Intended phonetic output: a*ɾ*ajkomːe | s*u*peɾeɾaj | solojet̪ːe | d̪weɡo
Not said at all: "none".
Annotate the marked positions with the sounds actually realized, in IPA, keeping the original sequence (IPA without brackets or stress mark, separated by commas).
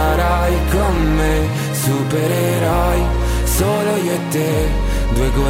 ɾ, u